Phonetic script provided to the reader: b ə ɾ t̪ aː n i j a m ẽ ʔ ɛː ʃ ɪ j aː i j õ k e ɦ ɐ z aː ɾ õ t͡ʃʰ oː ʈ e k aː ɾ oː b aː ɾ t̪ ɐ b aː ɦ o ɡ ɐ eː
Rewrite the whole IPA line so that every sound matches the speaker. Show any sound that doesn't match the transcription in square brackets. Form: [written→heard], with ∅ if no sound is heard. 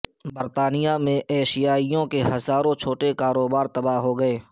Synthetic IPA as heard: b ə ɾ t̪ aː n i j a m ẽ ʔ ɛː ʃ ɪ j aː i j õ k e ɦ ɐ z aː ɾ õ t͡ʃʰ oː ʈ e k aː ɾ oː b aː ɾ t̪ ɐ b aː ɦ o ɡ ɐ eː